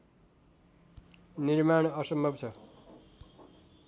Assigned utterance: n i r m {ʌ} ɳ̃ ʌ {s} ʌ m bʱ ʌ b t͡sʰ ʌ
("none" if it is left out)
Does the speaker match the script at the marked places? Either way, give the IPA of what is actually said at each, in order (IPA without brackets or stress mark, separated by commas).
a, s